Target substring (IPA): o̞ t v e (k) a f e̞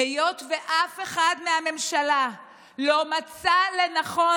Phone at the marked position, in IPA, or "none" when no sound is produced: ʔ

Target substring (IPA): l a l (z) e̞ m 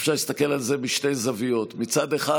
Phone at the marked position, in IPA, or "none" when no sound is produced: z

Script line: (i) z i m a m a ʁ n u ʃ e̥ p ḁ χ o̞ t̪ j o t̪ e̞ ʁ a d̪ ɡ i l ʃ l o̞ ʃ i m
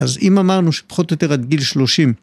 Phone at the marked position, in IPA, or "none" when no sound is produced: a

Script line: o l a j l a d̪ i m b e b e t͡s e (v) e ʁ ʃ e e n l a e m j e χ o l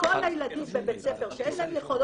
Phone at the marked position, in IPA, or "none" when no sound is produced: f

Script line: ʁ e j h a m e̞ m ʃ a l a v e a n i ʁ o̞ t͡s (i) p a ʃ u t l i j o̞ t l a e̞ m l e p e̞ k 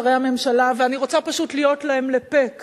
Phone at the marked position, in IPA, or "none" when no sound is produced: a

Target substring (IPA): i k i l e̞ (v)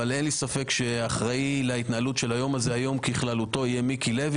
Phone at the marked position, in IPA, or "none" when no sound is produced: v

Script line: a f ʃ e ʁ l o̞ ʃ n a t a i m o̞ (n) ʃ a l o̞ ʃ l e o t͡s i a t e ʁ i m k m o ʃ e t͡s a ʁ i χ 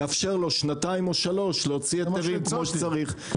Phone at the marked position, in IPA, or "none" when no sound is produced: none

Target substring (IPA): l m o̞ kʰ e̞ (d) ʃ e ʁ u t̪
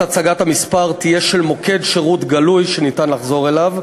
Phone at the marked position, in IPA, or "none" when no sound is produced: d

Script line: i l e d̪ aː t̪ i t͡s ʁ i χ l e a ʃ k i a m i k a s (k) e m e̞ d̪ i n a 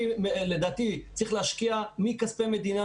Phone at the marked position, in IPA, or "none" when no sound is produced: p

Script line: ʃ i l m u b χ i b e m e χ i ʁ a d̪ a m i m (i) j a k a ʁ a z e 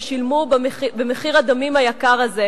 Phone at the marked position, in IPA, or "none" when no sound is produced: a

